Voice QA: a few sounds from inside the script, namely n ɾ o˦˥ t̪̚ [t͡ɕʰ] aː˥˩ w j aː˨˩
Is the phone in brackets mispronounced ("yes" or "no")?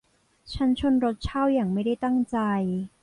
no